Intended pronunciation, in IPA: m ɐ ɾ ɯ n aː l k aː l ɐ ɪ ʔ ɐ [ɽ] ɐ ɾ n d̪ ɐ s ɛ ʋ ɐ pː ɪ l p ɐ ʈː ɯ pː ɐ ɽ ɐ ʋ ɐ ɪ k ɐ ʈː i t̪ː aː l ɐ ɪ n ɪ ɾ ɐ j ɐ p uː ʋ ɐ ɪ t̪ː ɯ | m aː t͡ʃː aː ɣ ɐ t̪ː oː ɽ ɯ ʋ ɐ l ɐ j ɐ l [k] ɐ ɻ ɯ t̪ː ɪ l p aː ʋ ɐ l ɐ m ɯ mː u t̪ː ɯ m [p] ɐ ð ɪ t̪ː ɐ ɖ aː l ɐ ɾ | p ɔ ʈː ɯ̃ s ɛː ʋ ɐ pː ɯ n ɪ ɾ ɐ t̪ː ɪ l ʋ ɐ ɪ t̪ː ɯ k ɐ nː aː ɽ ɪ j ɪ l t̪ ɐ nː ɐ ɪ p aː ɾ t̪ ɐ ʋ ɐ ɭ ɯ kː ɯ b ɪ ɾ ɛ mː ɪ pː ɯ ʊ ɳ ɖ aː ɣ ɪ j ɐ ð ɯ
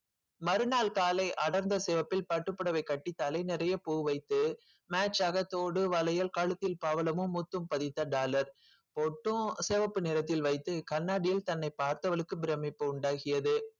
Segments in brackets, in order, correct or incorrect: correct, correct, correct

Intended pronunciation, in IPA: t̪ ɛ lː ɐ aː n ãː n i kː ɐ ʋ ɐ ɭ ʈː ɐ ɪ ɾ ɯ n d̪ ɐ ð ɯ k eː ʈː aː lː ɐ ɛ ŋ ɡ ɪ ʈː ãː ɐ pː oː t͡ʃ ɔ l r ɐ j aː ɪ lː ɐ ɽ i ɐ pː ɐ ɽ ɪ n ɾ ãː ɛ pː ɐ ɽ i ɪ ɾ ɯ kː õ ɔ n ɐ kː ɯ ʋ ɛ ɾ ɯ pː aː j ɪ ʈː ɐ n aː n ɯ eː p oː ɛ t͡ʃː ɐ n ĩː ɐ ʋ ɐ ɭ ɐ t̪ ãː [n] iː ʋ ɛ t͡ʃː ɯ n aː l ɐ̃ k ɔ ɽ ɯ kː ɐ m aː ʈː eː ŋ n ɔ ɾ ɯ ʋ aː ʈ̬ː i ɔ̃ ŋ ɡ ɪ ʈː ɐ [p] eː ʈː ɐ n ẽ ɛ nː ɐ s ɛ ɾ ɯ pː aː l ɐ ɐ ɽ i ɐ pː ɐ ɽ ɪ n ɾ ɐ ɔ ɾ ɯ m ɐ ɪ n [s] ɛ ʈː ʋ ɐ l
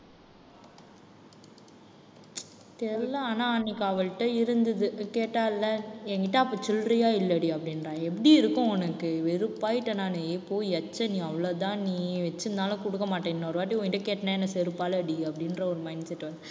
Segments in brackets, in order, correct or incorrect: correct, incorrect: k, correct

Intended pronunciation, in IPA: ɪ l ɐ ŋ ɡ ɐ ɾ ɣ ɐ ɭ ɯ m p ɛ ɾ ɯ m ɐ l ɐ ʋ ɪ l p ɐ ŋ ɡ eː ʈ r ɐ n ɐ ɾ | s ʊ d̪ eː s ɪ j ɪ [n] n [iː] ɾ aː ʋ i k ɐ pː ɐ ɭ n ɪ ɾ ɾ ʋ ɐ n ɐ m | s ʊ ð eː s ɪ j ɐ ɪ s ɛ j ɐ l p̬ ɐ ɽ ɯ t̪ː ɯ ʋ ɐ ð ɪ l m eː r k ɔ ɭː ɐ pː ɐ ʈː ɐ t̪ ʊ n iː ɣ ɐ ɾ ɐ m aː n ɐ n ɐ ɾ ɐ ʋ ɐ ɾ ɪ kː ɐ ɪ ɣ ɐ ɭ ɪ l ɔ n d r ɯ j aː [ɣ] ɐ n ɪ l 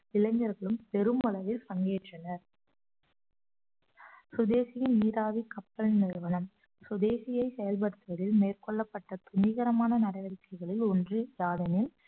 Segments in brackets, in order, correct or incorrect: correct, correct, incorrect: ð

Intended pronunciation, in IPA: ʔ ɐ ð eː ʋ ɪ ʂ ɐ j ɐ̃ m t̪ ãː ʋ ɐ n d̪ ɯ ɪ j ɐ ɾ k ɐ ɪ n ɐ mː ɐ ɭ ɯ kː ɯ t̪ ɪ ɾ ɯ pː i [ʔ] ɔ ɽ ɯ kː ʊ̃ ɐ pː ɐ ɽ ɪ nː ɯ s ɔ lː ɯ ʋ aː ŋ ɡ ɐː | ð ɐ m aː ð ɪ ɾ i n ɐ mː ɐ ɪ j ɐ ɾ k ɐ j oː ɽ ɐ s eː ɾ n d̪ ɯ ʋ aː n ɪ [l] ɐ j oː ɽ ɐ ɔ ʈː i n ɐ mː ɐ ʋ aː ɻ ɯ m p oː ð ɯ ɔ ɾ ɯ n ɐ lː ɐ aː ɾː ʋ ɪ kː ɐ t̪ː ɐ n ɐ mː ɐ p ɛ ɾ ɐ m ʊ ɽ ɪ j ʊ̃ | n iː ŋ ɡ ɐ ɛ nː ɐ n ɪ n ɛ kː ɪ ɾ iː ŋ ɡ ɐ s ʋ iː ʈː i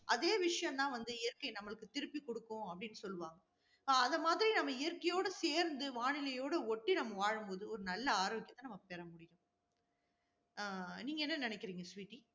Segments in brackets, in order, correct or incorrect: incorrect: k, correct

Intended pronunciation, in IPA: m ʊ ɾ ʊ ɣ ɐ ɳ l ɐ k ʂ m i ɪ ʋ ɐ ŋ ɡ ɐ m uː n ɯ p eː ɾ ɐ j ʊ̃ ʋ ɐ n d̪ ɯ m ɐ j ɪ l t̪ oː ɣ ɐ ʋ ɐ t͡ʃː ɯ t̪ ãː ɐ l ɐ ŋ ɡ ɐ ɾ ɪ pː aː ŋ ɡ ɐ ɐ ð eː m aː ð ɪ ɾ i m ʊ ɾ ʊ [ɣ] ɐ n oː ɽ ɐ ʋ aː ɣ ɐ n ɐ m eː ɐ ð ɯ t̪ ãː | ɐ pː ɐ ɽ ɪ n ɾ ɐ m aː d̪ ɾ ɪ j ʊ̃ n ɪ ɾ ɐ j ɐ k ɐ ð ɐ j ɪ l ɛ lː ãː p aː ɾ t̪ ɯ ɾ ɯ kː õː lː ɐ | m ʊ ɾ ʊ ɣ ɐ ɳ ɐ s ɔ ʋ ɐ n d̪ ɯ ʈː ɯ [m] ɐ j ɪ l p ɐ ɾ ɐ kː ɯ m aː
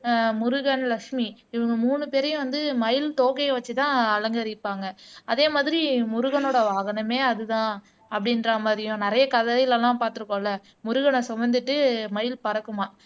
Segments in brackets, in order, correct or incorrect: correct, correct

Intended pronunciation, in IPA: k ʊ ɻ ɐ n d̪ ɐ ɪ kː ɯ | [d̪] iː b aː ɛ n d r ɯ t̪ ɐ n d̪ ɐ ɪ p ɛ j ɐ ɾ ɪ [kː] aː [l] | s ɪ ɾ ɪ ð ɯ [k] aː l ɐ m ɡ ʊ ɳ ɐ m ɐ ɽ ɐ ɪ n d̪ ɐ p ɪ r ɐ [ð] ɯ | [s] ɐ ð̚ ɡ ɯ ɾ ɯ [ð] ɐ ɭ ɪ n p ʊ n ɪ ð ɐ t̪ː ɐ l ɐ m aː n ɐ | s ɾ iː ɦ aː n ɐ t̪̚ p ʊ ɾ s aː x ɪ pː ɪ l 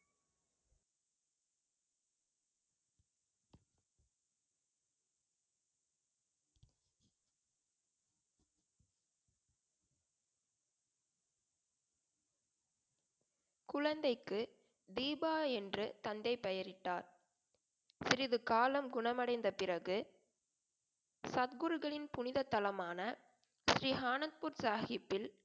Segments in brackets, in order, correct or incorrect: correct, incorrect: ʈː, incorrect: ɾ, correct, incorrect: ɣ, correct, incorrect: ɣ

